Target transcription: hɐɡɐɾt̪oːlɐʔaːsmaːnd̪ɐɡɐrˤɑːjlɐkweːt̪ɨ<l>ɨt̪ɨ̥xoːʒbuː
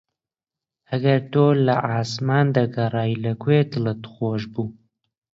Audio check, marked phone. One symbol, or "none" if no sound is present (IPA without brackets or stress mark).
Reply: l